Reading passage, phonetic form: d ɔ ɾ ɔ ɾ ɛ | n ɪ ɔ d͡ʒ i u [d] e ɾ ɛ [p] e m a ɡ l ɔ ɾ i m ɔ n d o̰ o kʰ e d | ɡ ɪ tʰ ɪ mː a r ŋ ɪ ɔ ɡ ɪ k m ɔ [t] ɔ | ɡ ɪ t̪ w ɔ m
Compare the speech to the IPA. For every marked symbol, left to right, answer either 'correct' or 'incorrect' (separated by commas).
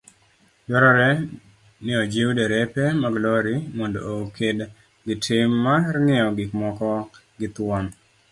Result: correct, correct, incorrect